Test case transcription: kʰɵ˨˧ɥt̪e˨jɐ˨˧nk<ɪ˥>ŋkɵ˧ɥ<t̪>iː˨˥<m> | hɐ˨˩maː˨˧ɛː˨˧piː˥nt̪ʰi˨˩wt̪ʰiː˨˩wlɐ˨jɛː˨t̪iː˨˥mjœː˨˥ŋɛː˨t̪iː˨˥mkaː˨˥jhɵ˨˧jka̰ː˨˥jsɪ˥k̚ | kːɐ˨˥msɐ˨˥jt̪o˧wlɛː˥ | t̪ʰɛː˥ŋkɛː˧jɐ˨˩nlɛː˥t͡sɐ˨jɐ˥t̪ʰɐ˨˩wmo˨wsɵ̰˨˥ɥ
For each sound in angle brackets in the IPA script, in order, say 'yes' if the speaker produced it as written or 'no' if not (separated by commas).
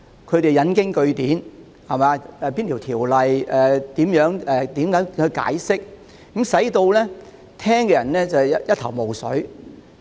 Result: yes, yes, no